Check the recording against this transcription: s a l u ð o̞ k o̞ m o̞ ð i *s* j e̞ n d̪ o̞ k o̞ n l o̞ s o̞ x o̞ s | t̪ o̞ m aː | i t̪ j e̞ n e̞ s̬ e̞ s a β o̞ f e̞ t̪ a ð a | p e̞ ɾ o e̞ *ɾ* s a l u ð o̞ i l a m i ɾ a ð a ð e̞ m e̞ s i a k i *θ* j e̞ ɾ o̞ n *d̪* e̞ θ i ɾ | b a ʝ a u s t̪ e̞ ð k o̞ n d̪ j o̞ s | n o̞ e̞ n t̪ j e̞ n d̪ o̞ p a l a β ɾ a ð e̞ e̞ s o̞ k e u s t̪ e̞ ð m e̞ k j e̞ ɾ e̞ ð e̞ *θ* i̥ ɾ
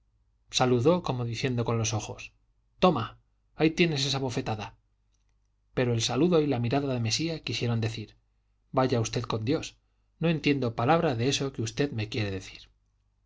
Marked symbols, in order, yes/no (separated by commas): no, no, no, yes, yes